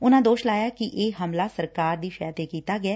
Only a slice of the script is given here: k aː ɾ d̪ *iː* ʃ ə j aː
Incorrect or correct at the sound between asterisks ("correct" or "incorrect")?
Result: correct